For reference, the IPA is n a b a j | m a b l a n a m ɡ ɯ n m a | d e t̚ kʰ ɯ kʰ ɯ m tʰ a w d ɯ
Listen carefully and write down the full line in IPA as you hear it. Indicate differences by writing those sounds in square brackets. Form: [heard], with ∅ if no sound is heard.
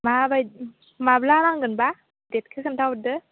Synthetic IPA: [m] a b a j | m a b l a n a [ŋ] ɡ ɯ n [b] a | d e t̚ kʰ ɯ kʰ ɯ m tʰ a w d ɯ